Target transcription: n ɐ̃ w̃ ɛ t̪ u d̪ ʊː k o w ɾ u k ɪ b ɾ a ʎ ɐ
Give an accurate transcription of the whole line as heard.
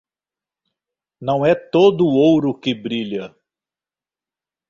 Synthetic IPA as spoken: n ɐ̃ w̃ ɛ t̪ o d̪ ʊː o w ɾ ʊ k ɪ b ɾ i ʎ ɐ